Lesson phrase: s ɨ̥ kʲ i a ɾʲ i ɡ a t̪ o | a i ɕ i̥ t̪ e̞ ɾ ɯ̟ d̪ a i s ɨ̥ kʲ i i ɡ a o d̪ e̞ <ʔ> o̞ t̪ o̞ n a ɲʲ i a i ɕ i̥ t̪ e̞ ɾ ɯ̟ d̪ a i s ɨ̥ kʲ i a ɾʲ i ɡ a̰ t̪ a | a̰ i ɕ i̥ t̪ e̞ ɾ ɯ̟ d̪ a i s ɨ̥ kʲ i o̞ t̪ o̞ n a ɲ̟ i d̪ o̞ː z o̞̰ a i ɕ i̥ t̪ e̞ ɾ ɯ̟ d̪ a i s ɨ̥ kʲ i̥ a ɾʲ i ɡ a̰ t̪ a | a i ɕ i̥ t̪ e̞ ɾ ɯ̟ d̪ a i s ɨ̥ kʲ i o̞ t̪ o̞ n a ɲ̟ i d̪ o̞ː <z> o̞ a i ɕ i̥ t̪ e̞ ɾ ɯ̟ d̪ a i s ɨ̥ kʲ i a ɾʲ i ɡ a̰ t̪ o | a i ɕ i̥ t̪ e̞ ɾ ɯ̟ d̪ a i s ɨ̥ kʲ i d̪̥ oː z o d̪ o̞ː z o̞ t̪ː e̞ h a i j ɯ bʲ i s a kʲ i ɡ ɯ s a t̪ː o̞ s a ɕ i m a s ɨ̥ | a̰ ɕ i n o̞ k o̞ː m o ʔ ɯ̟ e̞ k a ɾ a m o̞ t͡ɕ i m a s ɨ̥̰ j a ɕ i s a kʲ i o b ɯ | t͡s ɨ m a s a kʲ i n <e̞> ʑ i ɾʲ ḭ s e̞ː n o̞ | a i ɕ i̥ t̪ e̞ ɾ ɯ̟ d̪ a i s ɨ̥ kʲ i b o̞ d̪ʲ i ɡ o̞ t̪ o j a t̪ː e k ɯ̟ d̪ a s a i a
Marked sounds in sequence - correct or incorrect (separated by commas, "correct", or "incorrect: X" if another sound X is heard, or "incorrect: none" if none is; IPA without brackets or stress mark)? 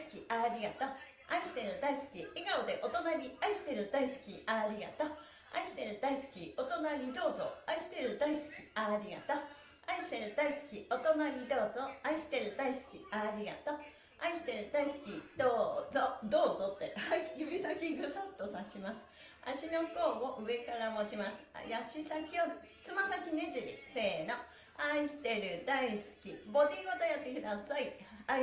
correct, correct, correct